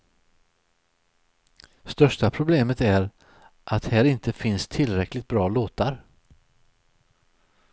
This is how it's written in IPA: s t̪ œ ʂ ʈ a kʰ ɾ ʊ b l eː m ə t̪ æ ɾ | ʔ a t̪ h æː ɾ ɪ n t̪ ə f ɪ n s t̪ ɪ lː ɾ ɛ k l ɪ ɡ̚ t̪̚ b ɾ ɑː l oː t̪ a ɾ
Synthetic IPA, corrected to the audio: s t̪ œ ʂ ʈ a pʰ ɾ ʊ b l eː m ə t̪ æ ɾ | ʔ a t̪ h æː ɾ ɪ n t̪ ə f ɪ n s t̪ʰ ɪ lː ɾ ɛ k l ɪ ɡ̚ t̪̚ b ɾ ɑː l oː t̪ a ɾ